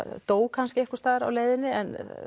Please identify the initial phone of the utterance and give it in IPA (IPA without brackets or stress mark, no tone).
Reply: t̪